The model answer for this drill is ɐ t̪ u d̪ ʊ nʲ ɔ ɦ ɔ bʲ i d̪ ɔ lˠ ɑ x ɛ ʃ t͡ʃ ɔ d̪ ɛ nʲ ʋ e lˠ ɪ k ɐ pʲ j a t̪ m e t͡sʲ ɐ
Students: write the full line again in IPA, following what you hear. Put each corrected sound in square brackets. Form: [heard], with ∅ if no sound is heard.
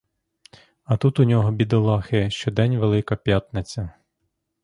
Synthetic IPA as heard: ɐ t̪ u [t̪] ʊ nʲ ɔ ɦ ɔ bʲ i d̪ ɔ lˠ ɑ x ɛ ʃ t͡ʃ ɔ d̪ ɛ nʲ ʋ e lˠ ɪ k ɐ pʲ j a t̪ [n] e t͡sʲ ɐ